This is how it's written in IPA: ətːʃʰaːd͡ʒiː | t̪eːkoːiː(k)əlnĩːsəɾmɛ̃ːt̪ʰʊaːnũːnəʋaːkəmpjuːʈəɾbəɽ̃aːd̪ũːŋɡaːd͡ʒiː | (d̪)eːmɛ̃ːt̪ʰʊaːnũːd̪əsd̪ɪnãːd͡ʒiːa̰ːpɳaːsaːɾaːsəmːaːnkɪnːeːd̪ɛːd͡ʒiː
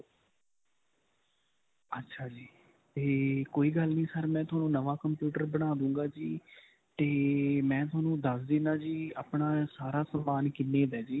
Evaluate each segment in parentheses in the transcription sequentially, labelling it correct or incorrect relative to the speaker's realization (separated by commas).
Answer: incorrect, incorrect